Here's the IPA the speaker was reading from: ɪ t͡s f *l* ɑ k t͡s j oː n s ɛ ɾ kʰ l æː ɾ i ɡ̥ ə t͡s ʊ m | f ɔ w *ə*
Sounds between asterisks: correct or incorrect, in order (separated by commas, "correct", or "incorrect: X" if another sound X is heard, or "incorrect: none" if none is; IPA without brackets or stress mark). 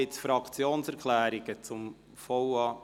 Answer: incorrect: ɾ, incorrect: ɑ